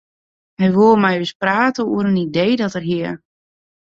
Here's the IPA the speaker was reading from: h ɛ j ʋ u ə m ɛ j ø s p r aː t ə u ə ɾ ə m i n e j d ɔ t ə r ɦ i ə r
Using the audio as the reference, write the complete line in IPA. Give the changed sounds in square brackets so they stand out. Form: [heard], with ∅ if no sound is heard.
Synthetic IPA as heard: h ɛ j ʋ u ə m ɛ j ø s p r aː t ə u ə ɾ ə [n] i [d] e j d ɔ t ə r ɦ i ə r

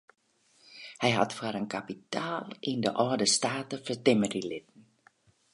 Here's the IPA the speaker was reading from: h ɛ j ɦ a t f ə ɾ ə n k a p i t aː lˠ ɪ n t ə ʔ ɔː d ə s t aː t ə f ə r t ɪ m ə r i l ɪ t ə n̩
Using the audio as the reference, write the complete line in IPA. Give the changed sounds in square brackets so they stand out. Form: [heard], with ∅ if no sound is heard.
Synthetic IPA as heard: h ɛ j ɦ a t f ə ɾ ə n k a p i t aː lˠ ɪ n [d] ə ʔ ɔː d ə s t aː t ə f ə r t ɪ m ə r i l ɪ t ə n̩

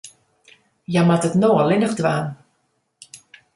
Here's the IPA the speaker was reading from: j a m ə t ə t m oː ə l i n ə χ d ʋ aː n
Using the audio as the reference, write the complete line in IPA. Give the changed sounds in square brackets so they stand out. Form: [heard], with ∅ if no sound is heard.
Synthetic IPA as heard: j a m [a] t ə t [n] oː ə l [ɪ] n ə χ d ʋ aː n

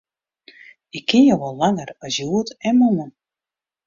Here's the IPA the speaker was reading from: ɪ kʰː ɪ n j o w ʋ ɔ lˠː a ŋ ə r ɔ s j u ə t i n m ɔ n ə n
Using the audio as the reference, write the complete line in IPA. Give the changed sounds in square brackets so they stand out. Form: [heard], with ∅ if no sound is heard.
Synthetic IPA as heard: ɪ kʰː ɪ n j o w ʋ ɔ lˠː a ŋ ə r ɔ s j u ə t [ɛ] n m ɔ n ə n

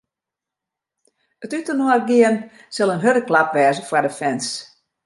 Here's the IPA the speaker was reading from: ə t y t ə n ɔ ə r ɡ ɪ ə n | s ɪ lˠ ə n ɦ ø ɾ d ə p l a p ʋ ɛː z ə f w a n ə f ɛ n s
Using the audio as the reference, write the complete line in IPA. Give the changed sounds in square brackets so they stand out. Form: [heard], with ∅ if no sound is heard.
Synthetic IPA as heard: ə t y t ə n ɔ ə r ɡ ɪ ə n | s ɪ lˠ ə n ɦ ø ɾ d ə [k] l a p ʋ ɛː z ə f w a [d] ə f ɛ n s

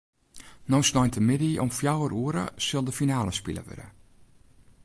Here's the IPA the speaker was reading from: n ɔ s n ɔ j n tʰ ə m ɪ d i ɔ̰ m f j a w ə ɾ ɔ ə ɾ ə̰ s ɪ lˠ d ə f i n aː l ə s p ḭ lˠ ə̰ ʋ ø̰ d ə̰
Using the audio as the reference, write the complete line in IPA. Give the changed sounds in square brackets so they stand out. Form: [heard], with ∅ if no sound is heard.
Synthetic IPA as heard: n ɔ s n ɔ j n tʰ ə m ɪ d i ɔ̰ m f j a w ə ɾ [u] ə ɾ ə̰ s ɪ lˠ d ə f i n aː l ə s p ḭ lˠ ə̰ ʋ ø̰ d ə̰

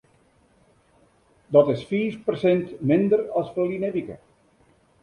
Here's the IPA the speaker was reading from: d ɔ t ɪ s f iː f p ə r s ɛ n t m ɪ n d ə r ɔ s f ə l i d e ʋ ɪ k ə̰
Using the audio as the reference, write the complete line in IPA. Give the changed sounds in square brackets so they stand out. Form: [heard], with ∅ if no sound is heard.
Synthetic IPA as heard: d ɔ t ɪ s f iː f p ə r s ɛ n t m ɪ n d ə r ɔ s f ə l i [n] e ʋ [i] k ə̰

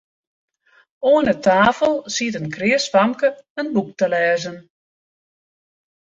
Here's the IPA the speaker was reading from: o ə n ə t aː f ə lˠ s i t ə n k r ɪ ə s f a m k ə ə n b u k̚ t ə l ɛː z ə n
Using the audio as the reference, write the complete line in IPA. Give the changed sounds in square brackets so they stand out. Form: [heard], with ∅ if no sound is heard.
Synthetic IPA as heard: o ə n ə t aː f ə lˠ s i t ə n k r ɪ ə s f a m k ə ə n b u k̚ t ə l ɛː z ə n

